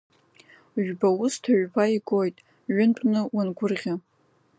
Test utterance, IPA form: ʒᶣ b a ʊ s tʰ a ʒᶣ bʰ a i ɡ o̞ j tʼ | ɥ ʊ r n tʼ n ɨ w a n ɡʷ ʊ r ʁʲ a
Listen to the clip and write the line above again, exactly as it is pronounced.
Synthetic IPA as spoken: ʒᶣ b a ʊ s tʰ a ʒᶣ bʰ a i ɡ o̞ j tʼ | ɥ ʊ n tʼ n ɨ w a n ɡʷ ʊ r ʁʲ a